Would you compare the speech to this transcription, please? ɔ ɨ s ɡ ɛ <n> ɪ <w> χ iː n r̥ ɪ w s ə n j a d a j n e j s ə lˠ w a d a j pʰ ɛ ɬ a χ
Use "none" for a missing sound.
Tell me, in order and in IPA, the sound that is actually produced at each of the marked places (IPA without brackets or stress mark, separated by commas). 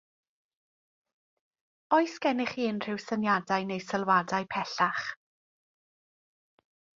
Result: n, none